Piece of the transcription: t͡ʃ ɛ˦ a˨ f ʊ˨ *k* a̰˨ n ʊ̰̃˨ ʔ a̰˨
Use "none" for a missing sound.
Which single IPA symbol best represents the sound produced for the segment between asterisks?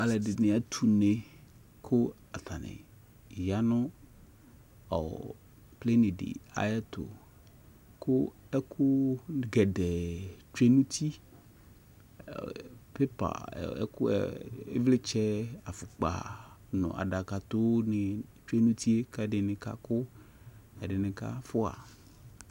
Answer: k͡p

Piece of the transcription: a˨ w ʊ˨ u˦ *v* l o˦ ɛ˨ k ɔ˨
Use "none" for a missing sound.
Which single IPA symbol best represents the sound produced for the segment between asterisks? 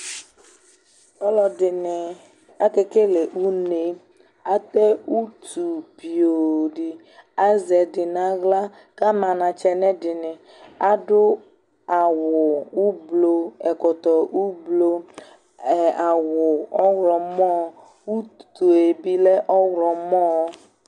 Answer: b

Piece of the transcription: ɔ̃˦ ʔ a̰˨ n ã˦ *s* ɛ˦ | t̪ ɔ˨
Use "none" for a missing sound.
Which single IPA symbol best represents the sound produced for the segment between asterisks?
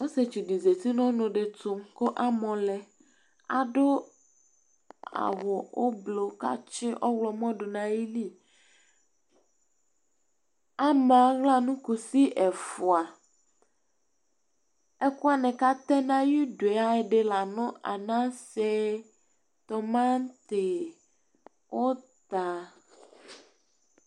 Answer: s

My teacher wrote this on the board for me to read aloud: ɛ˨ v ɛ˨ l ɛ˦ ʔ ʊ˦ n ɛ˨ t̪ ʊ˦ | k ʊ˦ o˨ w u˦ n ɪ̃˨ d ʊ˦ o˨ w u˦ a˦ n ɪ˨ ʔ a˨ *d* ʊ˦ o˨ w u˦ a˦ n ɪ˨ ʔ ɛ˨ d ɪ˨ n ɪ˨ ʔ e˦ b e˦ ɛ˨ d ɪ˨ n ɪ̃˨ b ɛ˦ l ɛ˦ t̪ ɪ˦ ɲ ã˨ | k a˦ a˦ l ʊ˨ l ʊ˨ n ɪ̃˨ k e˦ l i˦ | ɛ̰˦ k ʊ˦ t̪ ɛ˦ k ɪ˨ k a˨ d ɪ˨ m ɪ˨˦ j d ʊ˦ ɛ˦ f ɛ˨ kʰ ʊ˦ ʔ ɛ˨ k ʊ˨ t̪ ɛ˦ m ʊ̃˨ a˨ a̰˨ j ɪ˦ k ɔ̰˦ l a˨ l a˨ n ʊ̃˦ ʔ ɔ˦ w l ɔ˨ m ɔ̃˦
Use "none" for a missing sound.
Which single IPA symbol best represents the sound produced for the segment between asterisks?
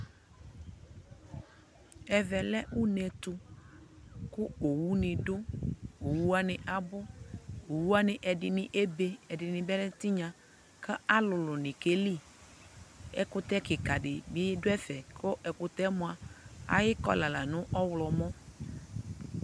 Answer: b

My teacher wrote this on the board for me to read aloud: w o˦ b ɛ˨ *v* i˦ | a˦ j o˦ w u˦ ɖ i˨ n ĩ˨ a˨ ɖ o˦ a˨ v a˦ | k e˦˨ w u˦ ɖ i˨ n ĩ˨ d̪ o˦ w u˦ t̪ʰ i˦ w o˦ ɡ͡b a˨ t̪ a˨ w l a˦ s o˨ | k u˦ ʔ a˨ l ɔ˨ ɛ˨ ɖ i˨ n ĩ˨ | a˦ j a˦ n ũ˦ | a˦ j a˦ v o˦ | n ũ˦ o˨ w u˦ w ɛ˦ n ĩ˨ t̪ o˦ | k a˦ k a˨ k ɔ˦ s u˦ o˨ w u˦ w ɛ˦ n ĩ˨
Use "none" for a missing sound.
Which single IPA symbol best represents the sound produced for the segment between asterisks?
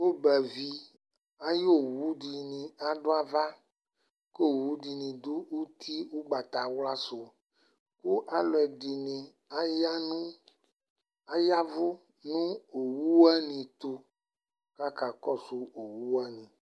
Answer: v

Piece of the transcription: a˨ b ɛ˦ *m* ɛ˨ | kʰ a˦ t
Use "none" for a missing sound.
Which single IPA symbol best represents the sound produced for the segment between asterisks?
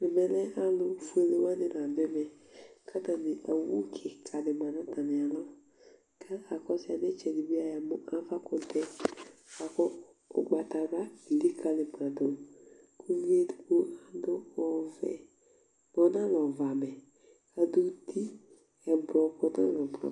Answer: m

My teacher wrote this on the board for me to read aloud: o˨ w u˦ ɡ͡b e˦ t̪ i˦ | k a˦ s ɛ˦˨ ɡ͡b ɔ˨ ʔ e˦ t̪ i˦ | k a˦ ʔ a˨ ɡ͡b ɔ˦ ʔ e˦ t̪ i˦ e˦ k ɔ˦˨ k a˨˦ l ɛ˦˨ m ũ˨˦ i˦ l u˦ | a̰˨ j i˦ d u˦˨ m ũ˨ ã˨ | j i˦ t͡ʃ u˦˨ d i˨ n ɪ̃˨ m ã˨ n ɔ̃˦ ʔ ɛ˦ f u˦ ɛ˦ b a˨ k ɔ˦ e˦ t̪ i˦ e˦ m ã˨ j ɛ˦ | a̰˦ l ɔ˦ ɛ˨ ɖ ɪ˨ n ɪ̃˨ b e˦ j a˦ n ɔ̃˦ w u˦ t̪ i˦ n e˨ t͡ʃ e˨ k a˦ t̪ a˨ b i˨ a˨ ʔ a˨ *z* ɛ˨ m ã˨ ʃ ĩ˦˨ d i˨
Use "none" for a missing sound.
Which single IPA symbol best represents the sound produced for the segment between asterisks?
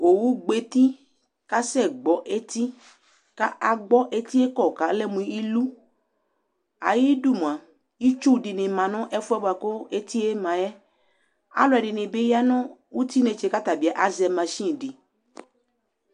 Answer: z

